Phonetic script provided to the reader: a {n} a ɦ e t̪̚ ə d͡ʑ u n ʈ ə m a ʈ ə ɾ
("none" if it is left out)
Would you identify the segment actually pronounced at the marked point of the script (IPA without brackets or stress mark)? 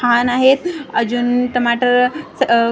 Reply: n